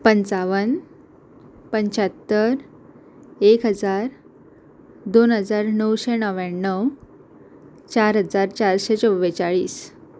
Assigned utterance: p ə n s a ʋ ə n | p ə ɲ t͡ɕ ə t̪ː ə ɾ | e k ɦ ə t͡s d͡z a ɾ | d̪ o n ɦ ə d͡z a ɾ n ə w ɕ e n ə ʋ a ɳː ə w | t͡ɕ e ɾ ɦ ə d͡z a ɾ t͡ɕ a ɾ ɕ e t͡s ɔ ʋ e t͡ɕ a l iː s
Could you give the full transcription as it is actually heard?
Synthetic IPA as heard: p ə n t͡s a ʋ ə n | p ə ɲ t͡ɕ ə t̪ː ə ɾ | e k ɦ ə d͡z a ɾ | d̪ o n ɦ ə d͡z a ɾ n ə w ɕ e n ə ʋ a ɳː ə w | t͡ɕ a ɾ ɦ ə d͡z a ɾ t͡ɕ a ɾ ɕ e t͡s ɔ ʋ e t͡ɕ a ɭ iː s